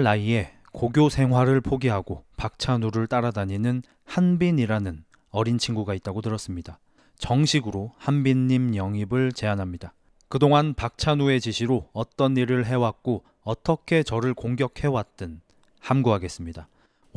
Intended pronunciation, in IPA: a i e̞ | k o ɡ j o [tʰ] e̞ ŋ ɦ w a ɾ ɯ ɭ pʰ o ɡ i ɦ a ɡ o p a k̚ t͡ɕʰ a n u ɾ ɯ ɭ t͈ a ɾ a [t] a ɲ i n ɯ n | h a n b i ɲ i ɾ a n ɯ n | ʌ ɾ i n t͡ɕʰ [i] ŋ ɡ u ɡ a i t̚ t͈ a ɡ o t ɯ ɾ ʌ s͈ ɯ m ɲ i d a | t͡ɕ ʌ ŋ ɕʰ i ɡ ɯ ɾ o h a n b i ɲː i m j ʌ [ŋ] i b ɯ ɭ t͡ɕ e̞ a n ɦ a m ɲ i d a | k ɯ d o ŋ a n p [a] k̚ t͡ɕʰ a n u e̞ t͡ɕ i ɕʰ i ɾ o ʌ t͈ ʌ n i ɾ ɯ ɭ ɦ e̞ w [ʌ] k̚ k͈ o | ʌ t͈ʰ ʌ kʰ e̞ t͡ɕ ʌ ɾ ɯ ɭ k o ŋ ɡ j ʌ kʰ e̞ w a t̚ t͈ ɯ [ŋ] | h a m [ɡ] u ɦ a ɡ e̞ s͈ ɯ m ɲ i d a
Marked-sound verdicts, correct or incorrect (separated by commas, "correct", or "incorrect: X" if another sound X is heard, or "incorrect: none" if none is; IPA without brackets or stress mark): incorrect: sʰ, incorrect: d, correct, correct, correct, incorrect: a, incorrect: n, correct